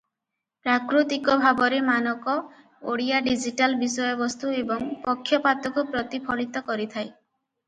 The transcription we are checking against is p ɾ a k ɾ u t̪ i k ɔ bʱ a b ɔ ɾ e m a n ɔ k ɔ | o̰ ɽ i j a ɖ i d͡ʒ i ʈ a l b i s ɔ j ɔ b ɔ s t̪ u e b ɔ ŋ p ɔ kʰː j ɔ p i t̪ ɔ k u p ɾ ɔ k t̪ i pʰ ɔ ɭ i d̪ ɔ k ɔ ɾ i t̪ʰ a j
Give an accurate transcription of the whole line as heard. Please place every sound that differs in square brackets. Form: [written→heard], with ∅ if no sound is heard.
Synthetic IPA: p ɾ a k ɾ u t̪ i k ɔ bʱ a b ɔ ɾ e m a n ɔ k ɔ | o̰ ɽ i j a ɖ i d͡ʒ i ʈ a l b i s ɔ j ɔ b ɔ s t̪ u e b ɔ ŋ p ɔ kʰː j ɔ p [i→a] t̪ ɔ k u p ɾ ɔ [k→∅] t̪ i pʰ ɔ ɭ i [d̪→t̪] ɔ k ɔ ɾ i t̪ʰ a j